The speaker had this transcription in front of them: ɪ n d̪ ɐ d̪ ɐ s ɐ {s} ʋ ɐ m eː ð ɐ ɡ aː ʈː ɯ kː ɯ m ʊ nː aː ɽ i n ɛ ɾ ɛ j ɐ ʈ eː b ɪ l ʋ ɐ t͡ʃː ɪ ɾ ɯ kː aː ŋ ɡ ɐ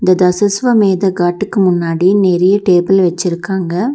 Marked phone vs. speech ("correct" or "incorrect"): correct